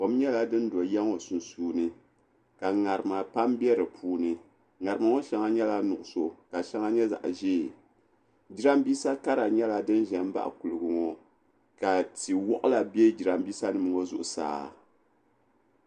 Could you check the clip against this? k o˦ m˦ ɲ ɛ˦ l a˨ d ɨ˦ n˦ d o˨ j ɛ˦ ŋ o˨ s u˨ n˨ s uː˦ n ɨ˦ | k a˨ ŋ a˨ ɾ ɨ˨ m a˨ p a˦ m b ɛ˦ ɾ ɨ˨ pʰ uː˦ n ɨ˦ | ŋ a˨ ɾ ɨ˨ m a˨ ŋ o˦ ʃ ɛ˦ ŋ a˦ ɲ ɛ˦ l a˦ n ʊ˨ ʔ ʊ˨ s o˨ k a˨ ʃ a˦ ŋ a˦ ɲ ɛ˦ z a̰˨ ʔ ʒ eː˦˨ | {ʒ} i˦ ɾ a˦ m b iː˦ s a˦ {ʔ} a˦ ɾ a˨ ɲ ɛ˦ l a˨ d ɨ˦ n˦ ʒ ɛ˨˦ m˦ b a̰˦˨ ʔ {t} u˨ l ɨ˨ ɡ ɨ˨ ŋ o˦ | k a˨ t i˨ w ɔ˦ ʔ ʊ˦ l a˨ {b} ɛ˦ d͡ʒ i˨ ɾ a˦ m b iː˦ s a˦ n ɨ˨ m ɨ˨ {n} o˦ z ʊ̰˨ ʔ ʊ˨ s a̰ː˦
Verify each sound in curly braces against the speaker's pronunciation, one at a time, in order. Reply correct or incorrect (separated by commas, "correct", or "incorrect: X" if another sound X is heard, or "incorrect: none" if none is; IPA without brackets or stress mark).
incorrect: d͡ʒ, incorrect: k, incorrect: k, correct, incorrect: ŋ